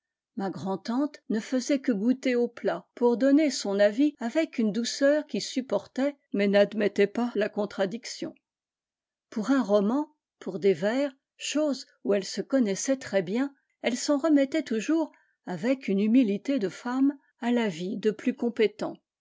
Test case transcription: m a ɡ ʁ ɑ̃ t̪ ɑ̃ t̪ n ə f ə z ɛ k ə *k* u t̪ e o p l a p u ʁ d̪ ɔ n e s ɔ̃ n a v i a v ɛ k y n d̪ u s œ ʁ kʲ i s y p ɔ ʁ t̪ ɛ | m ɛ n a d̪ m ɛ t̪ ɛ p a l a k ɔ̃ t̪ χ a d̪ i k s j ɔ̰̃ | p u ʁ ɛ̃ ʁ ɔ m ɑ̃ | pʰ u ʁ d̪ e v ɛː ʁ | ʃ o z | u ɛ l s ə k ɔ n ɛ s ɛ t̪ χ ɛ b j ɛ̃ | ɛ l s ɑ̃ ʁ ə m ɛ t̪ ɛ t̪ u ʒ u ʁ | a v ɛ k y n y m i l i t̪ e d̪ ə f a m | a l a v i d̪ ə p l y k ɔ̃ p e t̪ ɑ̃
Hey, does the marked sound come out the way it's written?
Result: no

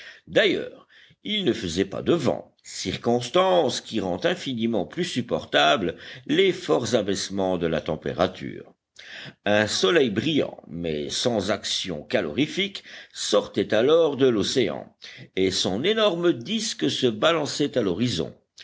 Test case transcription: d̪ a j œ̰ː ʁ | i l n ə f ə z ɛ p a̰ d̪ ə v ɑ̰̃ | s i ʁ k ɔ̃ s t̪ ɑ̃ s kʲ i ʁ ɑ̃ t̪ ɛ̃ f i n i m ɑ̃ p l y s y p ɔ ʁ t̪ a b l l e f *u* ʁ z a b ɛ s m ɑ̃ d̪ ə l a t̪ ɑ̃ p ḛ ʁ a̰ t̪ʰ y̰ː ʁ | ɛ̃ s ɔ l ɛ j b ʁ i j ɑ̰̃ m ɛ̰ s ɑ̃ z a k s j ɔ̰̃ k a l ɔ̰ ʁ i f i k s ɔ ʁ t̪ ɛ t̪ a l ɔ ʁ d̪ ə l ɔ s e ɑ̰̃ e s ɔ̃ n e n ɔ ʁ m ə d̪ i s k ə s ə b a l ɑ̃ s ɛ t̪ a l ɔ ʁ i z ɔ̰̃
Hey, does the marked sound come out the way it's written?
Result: no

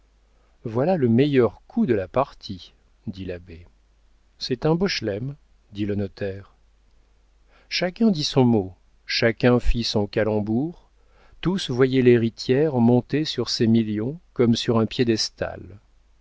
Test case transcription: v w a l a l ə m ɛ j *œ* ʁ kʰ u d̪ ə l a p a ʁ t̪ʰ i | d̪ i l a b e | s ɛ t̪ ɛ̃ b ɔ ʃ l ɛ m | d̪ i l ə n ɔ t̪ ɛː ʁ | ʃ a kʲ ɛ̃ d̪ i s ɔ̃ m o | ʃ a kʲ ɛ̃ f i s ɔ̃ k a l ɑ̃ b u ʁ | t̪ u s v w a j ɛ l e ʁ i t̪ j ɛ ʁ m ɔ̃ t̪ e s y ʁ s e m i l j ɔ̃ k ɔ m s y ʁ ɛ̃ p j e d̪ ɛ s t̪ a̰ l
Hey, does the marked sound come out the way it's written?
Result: yes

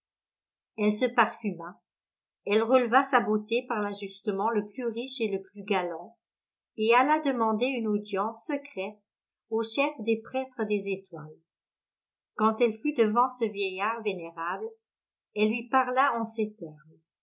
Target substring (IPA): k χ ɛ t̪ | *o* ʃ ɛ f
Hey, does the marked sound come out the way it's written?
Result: yes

